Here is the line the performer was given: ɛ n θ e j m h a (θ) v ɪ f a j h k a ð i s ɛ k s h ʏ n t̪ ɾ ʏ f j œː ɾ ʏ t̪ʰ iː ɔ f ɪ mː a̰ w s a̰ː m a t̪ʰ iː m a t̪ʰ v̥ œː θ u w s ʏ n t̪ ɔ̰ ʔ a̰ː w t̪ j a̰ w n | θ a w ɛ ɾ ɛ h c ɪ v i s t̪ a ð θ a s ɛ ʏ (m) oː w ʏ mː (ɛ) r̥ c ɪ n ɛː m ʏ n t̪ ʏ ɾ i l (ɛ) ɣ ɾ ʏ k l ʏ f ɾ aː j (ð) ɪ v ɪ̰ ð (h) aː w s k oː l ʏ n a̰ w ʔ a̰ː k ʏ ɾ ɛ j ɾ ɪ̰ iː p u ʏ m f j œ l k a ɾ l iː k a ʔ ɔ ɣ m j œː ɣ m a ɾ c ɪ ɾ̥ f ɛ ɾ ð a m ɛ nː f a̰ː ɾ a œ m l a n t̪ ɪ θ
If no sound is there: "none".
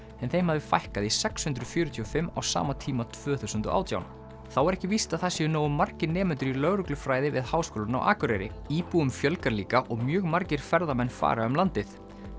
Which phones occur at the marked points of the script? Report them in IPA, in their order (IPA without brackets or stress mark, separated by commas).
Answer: ð, n, a, œ, ð, h